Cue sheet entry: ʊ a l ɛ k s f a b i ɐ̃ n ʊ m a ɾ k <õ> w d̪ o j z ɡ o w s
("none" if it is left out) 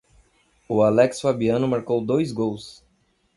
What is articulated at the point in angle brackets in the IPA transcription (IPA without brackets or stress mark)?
o